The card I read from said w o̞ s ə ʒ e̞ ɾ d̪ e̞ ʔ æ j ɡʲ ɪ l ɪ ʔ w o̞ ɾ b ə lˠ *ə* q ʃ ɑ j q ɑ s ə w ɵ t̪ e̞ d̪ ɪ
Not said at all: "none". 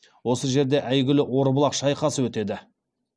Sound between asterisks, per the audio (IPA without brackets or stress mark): ɑ